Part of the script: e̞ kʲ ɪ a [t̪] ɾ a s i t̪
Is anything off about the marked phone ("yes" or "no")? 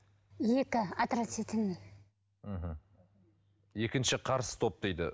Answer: no